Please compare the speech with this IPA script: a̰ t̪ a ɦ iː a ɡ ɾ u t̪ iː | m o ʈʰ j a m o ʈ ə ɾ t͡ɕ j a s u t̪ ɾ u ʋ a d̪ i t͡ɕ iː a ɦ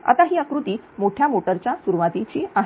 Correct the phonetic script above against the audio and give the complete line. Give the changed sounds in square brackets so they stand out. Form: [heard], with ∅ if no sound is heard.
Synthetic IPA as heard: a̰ t̪ a ɦ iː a [k] ɾ u t̪ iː | m o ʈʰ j a m o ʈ ə ɾ t͡ɕ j a s u [∅] ɾ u ʋ a [t̪] i t͡ɕ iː a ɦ